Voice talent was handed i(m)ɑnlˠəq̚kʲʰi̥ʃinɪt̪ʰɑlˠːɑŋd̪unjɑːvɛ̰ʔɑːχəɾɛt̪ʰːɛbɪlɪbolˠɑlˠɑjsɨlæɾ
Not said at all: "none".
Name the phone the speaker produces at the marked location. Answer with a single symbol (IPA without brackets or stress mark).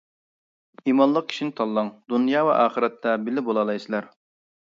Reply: m